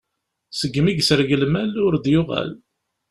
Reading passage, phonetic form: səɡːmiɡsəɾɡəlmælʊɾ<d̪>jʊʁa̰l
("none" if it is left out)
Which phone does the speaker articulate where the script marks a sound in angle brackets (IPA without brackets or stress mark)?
d̪